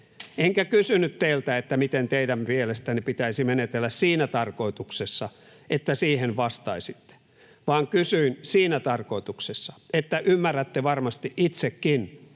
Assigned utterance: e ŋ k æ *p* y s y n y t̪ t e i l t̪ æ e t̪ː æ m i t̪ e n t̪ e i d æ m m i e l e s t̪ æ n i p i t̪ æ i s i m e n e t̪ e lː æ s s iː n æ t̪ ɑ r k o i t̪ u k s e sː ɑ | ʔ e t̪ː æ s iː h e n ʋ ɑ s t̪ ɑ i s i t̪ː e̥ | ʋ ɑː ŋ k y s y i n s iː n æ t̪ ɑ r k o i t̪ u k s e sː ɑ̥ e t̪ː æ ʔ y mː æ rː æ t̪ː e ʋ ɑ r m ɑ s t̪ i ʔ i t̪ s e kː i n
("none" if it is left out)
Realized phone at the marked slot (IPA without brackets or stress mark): k